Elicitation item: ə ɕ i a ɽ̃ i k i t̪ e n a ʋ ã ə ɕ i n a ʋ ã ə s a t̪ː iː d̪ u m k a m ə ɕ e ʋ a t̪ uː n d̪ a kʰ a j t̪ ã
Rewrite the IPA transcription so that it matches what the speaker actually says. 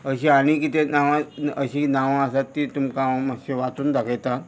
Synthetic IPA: ə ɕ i a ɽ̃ i k i t̪ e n a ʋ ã ə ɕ i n a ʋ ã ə s a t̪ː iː t̪ u m k a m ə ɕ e ʋ a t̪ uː n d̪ a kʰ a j t̪ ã